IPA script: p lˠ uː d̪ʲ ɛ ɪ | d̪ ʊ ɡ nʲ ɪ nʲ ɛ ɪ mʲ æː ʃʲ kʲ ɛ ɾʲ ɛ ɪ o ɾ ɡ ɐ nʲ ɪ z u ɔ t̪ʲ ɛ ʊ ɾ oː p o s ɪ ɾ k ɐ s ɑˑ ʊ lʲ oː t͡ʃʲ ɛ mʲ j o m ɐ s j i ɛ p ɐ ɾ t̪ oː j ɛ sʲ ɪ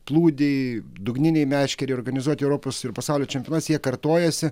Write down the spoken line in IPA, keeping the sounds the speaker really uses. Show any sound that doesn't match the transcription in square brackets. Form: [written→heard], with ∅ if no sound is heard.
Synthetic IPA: p lˠ uː d̪ʲ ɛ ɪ | d̪ ʊ ɡ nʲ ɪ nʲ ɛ ɪ mʲ æː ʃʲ kʲ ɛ ɾʲ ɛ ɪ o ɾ ɡ ɐ nʲ ɪ z u ɔ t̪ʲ ɛ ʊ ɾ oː p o s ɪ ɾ [k→p] ɐ s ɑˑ ʊ lʲ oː t͡ʃʲ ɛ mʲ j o [m→n] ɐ s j i ɛ [p→k] ɐ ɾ t̪ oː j ɛ sʲ ɪ